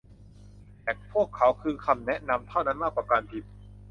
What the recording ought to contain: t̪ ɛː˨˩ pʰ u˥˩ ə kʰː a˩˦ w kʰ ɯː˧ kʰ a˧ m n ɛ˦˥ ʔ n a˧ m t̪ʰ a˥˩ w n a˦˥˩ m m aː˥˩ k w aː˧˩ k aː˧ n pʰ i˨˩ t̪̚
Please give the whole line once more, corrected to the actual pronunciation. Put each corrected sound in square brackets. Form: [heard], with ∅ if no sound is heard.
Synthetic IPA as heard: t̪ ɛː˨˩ pʰ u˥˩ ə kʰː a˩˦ w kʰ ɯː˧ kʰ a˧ m n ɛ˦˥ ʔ n a˧ m t̪ʰ a˥˩ w n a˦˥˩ [n] m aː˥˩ k w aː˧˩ k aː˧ n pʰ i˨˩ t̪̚